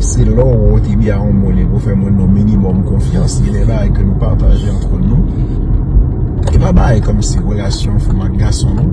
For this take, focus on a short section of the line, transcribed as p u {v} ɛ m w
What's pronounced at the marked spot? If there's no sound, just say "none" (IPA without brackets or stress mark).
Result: f